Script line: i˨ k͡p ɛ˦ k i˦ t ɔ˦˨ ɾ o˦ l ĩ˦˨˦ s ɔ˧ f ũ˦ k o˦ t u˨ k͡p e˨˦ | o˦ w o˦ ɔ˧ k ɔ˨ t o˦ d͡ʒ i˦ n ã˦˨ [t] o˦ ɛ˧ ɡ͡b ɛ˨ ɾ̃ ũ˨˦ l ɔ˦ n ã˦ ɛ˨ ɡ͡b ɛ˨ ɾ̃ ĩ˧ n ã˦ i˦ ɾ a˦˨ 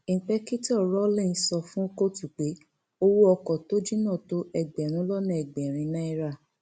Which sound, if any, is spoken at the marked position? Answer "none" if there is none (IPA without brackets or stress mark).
t